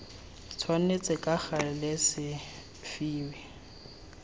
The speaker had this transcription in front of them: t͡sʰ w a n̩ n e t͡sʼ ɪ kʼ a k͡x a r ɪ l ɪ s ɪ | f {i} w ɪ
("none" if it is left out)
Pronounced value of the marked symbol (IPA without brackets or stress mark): iː